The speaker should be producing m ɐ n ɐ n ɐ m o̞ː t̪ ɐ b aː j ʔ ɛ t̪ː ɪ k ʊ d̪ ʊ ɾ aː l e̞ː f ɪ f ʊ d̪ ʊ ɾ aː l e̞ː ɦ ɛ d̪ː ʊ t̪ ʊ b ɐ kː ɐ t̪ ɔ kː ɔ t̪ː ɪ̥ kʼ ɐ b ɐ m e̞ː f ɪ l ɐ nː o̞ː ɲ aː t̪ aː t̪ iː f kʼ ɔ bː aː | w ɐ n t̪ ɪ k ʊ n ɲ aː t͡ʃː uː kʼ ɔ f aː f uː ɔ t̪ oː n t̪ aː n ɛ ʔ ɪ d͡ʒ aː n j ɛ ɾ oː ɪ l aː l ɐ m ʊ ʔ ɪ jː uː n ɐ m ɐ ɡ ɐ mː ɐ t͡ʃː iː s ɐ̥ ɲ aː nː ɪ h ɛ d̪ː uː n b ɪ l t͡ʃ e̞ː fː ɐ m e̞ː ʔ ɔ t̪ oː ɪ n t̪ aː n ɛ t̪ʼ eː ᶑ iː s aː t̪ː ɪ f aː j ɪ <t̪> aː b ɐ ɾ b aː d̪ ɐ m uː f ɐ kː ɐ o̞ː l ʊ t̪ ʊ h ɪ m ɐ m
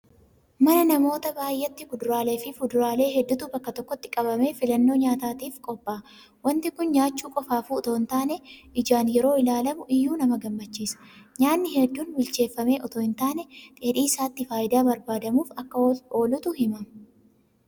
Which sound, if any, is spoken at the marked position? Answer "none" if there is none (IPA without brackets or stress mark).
d̪